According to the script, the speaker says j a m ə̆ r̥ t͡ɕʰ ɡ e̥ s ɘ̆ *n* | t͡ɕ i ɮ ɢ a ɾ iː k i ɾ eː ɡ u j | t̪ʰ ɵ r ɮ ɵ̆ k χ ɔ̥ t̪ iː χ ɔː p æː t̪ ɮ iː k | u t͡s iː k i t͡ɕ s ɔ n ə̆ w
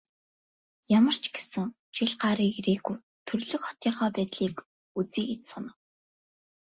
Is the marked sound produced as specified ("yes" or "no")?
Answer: no